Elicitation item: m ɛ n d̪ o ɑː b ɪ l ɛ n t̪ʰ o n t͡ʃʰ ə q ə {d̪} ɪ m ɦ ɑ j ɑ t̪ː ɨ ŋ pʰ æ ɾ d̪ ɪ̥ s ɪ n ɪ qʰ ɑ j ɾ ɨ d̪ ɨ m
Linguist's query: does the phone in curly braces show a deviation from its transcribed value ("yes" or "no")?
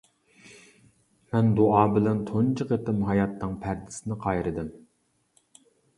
yes